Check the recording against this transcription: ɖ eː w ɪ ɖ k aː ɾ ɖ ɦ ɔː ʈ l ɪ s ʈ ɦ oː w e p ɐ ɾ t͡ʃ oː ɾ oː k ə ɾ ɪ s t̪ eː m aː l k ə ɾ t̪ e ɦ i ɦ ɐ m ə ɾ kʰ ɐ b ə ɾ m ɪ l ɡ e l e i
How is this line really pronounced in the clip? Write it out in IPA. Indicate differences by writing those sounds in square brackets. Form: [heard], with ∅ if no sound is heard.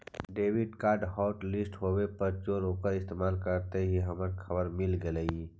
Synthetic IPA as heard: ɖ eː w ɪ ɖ k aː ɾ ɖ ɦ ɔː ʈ l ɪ s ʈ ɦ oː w e p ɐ ɾ t͡ʃ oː ɾ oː k ə ɾ ɪ s t̪ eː m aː l k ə ɾ t̪ e ɦ i ɦ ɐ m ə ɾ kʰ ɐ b ə ɾ m ɪ l ɡ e l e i